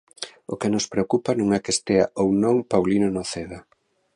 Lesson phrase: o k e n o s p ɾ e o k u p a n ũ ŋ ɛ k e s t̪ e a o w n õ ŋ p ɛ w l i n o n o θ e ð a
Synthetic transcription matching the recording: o k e n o s p ɾ e o k u p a n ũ ŋ ɛ k e s t̪ e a o w n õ ŋ p a w l i n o n o θ e ð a